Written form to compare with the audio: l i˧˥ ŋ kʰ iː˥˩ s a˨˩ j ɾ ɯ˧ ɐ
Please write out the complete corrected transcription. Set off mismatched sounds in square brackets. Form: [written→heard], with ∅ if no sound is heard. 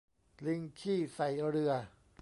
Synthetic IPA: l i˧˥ ŋ kʰ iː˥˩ s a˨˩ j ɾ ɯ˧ ɐ